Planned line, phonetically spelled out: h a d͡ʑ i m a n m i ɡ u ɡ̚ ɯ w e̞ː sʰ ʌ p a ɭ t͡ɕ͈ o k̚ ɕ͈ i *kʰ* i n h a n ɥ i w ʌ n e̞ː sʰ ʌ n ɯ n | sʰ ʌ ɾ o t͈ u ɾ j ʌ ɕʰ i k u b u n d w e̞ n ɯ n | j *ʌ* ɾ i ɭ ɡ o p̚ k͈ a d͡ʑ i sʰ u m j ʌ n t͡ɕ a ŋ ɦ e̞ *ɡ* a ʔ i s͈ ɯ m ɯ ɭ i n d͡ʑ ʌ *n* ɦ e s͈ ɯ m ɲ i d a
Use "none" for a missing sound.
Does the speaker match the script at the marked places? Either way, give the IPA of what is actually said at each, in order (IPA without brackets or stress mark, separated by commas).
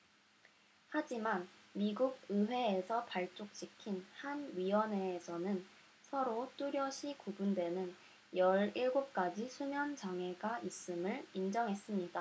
kʰ, ʌ, ɡ, ŋ